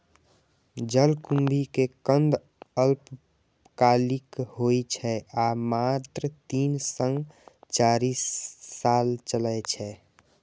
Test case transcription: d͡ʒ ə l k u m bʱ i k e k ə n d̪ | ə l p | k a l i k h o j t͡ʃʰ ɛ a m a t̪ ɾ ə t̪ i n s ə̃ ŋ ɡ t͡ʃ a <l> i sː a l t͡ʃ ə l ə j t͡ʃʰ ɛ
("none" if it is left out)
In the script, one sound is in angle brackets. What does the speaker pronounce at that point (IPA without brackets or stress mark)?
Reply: ɾ